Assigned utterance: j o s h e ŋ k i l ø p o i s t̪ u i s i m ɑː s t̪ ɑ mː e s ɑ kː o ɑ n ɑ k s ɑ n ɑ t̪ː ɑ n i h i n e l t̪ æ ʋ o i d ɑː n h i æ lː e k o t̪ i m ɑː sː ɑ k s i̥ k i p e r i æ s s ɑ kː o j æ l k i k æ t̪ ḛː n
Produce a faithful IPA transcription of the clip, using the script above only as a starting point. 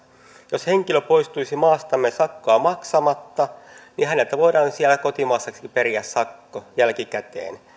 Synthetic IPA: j o s h e ŋ k i l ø p o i s t̪ u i s i m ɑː s t̪ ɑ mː e s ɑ kː o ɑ m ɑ k s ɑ m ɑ t̪ː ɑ n i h æ n e l t̪ æ ʋ o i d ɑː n s i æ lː æ k o t̪ i m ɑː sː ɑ k s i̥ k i p e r i æ s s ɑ kː o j æ l k i k æ t̪ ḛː n